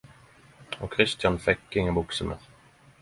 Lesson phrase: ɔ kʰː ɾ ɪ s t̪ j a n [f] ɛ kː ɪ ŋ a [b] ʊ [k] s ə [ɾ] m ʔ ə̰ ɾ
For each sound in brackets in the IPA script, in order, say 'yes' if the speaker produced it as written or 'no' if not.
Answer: yes, yes, yes, no

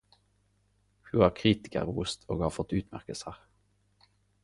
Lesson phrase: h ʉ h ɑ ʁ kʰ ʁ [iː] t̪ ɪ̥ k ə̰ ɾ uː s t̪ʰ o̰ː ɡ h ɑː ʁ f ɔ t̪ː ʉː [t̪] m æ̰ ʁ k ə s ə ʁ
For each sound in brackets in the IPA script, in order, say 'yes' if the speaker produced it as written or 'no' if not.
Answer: yes, yes

